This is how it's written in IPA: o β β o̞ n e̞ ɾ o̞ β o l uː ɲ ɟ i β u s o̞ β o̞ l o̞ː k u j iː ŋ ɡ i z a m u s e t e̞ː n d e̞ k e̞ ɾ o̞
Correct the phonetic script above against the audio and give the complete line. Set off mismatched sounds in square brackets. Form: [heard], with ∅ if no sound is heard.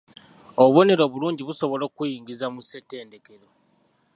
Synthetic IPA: o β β o̞ n e̞ ɾ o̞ β [u] l uː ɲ ɟ i β u s o̞ β o̞ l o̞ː k u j iː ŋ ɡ i z a m u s e t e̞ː n d e̞ k e̞ ɾ o̞